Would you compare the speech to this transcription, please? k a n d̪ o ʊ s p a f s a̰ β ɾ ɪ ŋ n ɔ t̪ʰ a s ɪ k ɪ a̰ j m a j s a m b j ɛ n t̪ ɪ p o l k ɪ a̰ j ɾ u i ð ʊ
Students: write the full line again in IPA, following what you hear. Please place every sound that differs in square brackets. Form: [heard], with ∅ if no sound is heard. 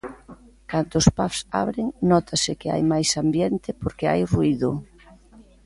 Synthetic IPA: k a n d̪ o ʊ s p a f s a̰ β ɾ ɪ ŋ n ɔ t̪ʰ a s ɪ k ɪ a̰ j m a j s a m b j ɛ n t̪ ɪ p o [ɾ] k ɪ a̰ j [r] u i ð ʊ